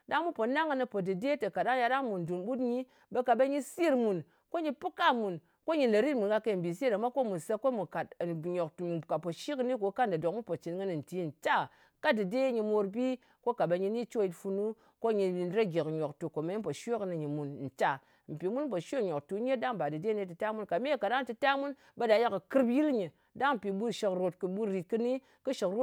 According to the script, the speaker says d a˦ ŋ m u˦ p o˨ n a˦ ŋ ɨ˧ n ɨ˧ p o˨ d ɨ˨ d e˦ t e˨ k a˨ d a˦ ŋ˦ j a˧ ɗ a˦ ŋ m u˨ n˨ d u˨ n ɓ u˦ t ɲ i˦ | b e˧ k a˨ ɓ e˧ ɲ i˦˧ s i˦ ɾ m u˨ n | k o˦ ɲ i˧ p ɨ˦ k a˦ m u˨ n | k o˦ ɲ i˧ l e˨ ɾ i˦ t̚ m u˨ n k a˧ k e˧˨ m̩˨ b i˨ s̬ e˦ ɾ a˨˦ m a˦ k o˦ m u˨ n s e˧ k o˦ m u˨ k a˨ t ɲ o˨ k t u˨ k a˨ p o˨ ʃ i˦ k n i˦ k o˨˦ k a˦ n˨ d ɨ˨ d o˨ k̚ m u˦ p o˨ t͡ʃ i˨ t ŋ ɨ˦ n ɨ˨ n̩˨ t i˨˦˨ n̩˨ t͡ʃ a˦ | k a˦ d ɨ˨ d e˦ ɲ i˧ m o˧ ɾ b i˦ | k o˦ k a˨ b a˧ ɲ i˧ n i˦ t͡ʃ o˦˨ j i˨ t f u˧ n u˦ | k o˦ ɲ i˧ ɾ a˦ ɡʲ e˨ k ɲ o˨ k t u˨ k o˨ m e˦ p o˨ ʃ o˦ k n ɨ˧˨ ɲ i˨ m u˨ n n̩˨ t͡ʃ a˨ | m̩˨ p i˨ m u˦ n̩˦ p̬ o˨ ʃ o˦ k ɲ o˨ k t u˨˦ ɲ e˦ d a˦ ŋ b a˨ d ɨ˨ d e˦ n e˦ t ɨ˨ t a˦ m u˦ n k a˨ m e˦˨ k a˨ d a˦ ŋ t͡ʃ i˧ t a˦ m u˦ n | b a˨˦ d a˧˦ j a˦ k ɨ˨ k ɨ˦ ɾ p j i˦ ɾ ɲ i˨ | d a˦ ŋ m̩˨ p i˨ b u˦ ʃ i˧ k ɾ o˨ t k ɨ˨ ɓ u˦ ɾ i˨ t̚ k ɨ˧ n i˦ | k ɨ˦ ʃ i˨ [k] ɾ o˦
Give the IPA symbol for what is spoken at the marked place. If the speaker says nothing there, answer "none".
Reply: k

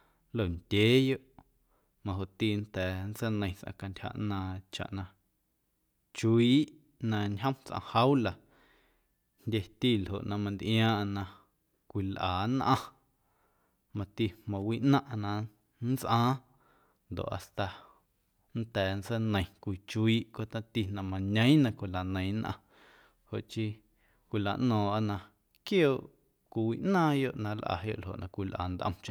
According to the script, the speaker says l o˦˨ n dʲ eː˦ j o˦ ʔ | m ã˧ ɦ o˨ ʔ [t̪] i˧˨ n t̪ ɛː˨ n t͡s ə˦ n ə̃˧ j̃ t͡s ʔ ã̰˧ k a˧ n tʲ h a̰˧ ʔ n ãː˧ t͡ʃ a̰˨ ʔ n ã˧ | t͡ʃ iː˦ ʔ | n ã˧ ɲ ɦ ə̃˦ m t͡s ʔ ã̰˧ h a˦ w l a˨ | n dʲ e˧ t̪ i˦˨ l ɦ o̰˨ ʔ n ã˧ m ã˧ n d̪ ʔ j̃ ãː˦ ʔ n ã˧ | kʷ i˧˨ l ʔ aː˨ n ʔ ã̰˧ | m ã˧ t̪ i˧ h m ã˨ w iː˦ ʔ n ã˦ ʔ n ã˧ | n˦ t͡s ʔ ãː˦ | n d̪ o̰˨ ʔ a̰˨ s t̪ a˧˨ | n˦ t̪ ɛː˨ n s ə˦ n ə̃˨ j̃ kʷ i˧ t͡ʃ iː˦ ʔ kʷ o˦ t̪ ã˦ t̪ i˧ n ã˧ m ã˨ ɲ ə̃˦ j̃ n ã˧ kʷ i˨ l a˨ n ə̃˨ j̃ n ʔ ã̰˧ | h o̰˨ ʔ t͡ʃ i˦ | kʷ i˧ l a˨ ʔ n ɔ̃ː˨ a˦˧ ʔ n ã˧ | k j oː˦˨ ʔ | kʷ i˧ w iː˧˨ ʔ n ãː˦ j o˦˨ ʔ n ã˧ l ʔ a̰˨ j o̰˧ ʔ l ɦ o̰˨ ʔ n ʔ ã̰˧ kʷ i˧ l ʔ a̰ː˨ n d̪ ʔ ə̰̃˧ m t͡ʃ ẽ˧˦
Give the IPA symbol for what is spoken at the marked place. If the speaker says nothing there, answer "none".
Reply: t̪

